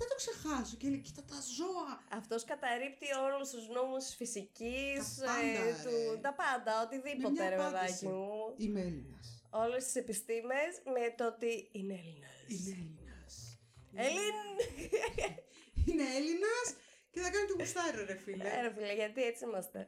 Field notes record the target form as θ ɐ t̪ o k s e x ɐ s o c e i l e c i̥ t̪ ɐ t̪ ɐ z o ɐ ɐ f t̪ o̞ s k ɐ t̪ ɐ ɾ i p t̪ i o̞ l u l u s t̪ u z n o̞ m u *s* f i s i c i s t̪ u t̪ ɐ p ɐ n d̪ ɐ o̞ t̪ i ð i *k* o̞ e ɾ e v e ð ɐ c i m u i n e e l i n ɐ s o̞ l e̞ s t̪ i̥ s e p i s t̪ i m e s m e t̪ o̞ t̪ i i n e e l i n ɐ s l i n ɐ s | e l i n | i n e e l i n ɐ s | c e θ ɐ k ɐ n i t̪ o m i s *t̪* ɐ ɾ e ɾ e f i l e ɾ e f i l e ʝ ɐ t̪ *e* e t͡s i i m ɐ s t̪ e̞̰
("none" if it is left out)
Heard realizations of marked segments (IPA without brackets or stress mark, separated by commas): s, p, t̪, i